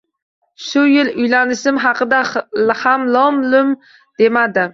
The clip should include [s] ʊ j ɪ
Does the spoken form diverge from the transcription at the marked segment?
yes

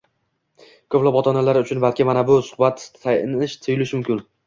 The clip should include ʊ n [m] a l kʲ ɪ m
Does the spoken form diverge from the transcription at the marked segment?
yes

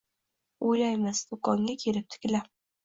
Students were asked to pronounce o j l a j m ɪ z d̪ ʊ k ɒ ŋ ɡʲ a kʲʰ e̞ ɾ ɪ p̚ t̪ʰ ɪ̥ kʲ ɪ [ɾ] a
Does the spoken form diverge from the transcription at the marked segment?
yes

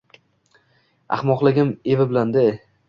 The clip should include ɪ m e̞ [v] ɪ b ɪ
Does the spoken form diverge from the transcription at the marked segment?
no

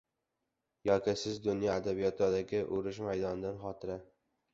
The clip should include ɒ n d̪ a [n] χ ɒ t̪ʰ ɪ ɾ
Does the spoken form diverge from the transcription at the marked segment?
no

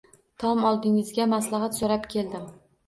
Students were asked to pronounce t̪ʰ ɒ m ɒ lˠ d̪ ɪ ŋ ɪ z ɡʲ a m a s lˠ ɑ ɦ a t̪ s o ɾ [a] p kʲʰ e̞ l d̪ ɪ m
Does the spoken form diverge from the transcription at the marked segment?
no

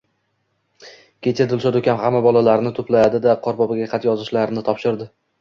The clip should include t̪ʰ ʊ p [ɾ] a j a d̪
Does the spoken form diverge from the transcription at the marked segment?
yes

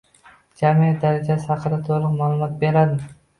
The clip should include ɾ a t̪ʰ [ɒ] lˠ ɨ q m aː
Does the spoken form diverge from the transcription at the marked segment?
yes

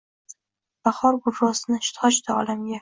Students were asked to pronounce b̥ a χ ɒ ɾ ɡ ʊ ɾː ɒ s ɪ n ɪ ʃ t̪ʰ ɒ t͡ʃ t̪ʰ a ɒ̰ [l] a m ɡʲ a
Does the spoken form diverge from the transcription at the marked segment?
no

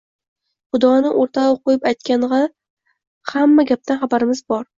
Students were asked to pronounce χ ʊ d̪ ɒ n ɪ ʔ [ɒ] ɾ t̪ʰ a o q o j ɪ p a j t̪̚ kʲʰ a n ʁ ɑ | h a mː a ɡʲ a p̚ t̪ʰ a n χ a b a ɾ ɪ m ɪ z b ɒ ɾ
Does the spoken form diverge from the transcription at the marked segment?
yes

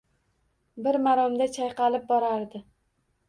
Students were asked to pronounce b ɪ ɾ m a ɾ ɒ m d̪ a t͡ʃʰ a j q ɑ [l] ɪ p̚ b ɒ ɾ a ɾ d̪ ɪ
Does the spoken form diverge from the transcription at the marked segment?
no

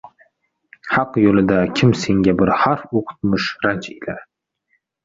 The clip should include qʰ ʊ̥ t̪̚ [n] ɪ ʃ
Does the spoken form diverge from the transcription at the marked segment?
yes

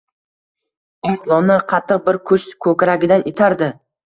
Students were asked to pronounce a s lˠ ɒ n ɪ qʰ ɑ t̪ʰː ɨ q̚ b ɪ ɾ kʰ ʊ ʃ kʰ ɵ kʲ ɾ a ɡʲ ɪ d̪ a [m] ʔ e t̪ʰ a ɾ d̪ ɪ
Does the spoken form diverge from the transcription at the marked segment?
yes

